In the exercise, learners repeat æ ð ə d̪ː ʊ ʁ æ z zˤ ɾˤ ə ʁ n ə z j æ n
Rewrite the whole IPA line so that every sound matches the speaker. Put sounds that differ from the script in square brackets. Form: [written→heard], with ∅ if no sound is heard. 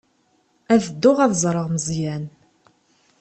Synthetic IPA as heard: æ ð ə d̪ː ʊ ʁ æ [z→ð] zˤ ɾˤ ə ʁ [n→m] ə z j æ n